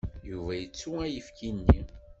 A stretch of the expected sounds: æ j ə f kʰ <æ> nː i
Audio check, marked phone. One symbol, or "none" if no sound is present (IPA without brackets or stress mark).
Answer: i